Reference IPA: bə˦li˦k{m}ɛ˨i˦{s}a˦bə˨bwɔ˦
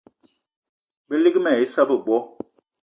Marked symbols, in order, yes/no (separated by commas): yes, yes